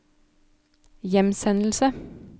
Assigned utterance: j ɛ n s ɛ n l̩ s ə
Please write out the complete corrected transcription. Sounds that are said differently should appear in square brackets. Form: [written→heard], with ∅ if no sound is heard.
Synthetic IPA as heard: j ɛ [n→m] s ɛ n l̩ s ə